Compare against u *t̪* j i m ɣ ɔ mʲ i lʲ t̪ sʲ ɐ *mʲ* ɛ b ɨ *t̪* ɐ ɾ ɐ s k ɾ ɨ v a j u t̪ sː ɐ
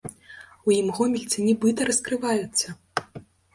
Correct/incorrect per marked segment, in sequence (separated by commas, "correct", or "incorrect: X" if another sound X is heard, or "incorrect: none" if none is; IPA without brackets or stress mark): incorrect: none, incorrect: nʲ, correct